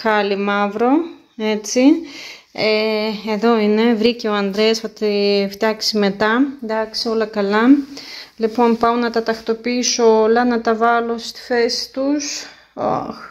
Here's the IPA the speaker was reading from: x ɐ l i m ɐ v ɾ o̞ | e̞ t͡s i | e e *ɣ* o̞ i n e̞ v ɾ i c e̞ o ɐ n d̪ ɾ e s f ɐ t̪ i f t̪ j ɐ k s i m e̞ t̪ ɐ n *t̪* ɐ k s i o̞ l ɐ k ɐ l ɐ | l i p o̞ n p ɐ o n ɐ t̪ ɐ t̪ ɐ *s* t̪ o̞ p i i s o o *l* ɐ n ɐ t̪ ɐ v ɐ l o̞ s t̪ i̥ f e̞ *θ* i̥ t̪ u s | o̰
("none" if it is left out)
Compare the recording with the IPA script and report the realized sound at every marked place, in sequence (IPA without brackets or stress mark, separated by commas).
ð, d̪, x, l, s